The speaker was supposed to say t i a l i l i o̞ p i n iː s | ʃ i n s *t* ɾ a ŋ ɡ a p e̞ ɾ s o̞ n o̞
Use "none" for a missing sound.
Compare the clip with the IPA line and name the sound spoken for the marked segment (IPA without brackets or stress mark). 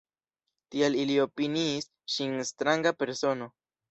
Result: t